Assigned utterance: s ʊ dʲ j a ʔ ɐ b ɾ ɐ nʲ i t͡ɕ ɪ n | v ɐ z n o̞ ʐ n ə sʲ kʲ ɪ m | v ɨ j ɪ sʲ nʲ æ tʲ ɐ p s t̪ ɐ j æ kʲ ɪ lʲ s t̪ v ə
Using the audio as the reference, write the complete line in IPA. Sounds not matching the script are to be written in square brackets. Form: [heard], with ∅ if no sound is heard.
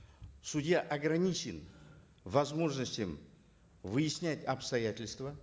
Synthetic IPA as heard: s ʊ dʲ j a ʔ ɐ [ɡ] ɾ ɐ nʲ i t͡ɕ ɪ n | v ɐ z [m] o̞ ʐ n ə sʲ [tʲ] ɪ m | v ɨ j ɪ sʲ nʲ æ tʲ ɐ p s t̪ ɐ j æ [tʲ] ɪ lʲ s t̪ v ə